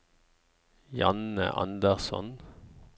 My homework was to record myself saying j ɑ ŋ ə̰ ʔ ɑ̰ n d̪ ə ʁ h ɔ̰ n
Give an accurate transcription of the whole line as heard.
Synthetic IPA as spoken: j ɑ n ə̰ ʔ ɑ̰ n d̪ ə ʁ s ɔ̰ n